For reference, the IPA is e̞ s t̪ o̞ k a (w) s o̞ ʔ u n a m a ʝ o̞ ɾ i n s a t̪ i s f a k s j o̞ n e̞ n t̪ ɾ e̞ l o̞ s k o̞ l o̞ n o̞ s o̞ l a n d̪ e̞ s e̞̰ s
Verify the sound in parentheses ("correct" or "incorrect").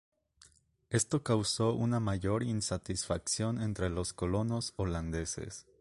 correct